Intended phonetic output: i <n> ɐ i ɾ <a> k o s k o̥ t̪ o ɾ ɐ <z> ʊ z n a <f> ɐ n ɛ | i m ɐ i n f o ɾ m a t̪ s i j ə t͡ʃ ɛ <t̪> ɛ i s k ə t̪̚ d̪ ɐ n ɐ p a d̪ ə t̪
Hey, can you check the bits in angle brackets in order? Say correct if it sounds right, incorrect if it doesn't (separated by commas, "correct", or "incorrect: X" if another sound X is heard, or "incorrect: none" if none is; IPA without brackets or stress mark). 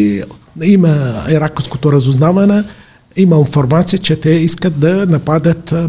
incorrect: m, correct, correct, incorrect: v, correct